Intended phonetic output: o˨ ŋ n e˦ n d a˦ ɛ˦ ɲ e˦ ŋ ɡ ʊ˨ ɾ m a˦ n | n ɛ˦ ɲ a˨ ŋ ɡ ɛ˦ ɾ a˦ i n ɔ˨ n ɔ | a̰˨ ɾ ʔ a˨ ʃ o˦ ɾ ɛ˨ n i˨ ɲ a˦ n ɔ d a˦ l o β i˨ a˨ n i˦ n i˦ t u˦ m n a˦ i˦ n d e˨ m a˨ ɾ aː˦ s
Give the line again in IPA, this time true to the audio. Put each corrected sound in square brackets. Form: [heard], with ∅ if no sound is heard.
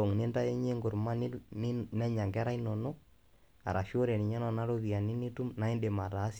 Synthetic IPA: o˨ ŋ n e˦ n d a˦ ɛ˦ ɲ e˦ ŋ ɡ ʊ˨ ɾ m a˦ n | n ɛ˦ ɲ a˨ ŋ ɡ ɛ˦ ɾ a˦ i n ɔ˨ n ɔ | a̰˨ ɾ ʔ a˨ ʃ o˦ ɾ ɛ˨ n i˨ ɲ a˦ n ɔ [n] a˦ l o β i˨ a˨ n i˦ n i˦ t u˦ m n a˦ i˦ n d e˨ m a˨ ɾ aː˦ s